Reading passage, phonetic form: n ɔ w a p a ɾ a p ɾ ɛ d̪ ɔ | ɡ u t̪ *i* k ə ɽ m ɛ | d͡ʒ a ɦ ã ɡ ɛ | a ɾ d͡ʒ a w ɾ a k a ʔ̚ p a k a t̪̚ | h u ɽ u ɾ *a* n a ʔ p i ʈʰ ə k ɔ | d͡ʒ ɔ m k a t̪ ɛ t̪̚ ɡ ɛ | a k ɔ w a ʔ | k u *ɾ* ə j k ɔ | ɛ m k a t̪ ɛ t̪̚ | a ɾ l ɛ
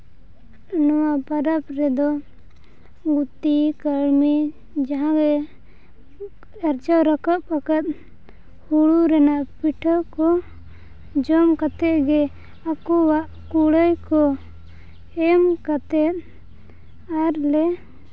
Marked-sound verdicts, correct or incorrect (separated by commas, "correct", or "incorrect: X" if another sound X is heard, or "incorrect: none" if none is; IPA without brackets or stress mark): correct, incorrect: ɛ, incorrect: ɽ